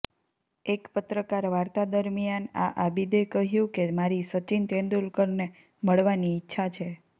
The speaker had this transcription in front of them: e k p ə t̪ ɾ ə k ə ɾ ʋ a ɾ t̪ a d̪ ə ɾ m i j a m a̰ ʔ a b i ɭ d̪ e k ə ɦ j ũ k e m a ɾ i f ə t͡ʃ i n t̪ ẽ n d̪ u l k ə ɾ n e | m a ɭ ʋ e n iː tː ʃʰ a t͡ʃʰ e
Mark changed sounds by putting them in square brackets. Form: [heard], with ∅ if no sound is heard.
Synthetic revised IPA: e k p ə t̪ ɾ ə k [a] ɾ ʋ a ɾ t̪ a d̪ ə ɾ m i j a [n] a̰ ʔ a b i [∅] d̪ e k ə ɦ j ũ k e m a ɾ i [s] ə t͡ʃ i n t̪ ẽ n d̪ u l k ə ɾ n e | m [ə] ɭ ʋ [a] n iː tː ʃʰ a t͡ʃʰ e

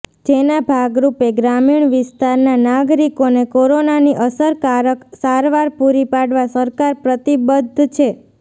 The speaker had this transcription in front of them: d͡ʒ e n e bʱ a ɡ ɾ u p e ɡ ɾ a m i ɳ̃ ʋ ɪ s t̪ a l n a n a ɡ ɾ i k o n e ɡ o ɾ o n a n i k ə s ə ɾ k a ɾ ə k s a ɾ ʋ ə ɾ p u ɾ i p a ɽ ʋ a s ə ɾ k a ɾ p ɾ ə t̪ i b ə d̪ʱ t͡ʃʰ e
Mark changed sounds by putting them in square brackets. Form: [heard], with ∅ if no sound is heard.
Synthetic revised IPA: d͡ʒ e n [a] bʱ a ɡ ɾ u p e ɡ ɾ a m i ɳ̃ ʋ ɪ s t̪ a [ɾ] n a n a ɡ ɾ i k o n e [k] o ɾ o n a n i [ʔ] ə s ə ɾ k a ɾ ə k s a ɾ ʋ [a] ɾ p u ɾ i p a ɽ ʋ a s ə ɾ k a ɾ p ɾ ə t̪ i b ə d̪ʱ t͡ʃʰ e

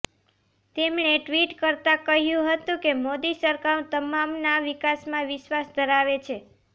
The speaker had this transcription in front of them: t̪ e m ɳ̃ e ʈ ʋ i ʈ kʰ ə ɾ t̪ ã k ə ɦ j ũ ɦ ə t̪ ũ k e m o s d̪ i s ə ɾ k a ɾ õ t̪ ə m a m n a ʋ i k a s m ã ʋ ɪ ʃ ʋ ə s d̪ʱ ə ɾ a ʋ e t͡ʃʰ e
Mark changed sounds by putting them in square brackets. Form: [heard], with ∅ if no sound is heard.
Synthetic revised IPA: t̪ e m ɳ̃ e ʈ ʋ i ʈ [k] ə ɾ t̪ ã k ə ɦ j ũ ɦ ə t̪ ũ k e m o [∅] d̪ i s ə ɾ k a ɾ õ t̪ ə m a m n a ʋ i k a s m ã ʋ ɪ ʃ ʋ [a] s d̪ʱ ə ɾ a ʋ e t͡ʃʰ e

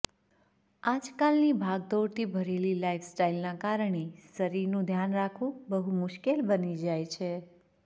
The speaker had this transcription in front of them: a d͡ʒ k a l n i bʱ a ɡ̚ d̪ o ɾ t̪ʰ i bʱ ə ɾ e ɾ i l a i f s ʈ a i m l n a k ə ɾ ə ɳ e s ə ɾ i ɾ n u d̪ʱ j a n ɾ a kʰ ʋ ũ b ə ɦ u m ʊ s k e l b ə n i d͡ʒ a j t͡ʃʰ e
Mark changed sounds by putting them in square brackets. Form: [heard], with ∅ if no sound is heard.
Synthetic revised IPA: a d͡ʒ k a l n i bʱ a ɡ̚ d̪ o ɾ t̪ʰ i bʱ ə ɾ e [l] i l a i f s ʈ a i [∅] l n a k [a] ɾ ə ɳ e s ə ɾ i ɾ n [ũ] d̪ʱ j a n ɾ a kʰ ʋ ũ b ə ɦ u m ʊ [ʃ] k e l b ə n i d͡ʒ a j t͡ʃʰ e

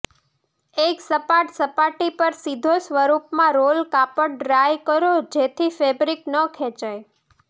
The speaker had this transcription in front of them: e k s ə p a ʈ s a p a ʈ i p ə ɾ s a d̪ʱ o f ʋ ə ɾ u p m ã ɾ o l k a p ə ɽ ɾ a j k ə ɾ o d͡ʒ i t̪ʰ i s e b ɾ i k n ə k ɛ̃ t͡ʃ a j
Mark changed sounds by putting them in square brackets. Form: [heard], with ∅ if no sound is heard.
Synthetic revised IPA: e k s ə p a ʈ s [ə] p a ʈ i p ə ɾ s [i] d̪ʱ o [s] ʋ ə ɾ u p m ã ɾ o l k a p ə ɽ ɾ a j k ə ɾ o d͡ʒ [e] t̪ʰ i [f] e b ɾ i k n ə [kʰ] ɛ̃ t͡ʃ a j

